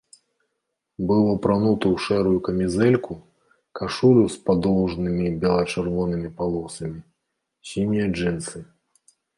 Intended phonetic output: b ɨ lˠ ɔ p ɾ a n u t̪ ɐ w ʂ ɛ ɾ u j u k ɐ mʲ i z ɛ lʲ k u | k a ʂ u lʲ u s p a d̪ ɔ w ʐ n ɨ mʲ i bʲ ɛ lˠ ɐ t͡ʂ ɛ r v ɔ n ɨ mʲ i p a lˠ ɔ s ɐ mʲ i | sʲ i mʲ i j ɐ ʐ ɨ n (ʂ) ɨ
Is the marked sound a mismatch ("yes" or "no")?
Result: yes